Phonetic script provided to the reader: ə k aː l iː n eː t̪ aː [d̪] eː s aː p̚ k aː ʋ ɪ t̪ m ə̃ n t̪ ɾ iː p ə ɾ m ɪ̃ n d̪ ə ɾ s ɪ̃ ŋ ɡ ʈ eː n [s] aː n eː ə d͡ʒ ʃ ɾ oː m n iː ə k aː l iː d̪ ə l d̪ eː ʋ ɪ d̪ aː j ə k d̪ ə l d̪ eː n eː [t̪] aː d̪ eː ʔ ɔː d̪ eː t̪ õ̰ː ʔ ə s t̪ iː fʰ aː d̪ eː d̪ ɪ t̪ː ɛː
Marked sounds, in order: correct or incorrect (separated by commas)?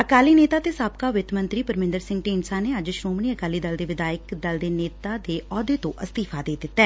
incorrect, correct, correct